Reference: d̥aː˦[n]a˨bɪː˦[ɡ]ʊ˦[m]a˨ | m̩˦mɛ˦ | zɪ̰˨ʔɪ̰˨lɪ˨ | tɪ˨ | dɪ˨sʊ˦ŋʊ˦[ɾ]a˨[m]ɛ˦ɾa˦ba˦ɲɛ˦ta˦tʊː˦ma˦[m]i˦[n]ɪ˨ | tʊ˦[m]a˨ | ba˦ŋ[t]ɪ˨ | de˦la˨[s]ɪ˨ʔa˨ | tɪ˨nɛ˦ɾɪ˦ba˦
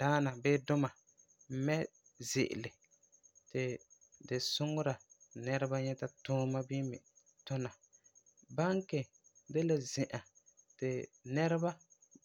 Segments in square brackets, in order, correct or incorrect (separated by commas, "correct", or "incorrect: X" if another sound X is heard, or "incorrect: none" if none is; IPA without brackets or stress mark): correct, incorrect: d, correct, correct, incorrect: n, incorrect: b, incorrect: m, incorrect: n, incorrect: k, incorrect: z